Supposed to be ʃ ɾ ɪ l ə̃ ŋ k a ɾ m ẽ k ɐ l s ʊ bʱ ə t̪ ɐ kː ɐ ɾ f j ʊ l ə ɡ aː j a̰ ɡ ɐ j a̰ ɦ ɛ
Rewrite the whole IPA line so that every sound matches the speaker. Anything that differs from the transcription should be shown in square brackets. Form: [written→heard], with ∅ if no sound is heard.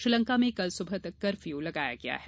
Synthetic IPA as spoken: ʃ ɾ ɪ l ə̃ ŋ k a [ɾ→∅] m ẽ k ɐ l s ʊ bʱ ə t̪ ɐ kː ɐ ɾ f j [ʊ→u] l [ə→ɐ] ɡ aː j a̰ ɡ ɐ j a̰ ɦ ɛ